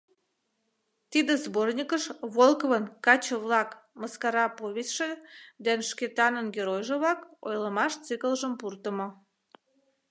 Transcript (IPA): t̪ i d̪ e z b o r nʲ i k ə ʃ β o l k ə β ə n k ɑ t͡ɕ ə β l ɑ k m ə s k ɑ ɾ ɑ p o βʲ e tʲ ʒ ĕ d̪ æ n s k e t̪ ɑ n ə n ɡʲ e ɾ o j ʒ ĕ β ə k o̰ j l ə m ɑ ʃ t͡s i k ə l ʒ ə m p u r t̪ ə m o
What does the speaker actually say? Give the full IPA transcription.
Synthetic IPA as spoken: t̪ i d̪ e z b o r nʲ i k ə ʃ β o l k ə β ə n k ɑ t͡ɕ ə β l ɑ k m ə s k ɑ ɾ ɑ p o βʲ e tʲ ʃ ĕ d̪ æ n ʃ k e t̪ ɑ n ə n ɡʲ e ɾ o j ʒ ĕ β ɑ k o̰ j l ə m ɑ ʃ t͡s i k ə l ʒ ə m p u r t̪ ə m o